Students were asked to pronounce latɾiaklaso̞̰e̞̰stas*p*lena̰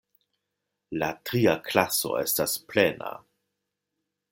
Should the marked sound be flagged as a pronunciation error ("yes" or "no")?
no